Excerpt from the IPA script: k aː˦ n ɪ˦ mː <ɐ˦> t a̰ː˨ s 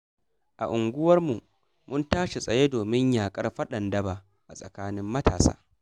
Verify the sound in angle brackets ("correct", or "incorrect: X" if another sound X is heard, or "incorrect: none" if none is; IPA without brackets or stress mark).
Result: correct